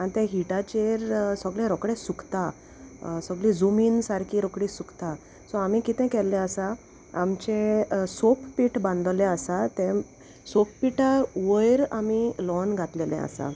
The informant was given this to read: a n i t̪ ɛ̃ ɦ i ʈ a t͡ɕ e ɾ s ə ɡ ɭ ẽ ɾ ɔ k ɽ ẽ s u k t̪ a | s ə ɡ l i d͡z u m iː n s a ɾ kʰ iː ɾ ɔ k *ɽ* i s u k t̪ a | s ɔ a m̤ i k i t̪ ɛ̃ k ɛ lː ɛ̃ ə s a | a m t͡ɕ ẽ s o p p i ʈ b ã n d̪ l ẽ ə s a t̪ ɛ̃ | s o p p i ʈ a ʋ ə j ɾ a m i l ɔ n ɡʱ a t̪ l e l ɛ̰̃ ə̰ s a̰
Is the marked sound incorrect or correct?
correct